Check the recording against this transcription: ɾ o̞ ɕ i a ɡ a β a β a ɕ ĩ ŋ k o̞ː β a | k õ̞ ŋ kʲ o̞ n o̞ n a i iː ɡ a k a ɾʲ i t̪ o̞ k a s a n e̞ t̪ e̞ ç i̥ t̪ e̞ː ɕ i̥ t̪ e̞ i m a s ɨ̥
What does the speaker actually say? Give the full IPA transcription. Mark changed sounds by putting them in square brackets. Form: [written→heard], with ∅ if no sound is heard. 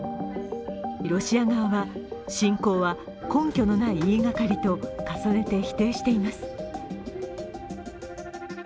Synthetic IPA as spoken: ɾ o̞ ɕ i a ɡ a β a β a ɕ ĩ ŋ k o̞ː β a | k õ̞ ŋ kʲ o̞ n o̞ n a i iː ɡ a k a ɾʲ i t̪ o̞ k a s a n e̞ t̪ e̞ ç i̥ t̪ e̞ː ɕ i̥ t̪ e̞ i m a s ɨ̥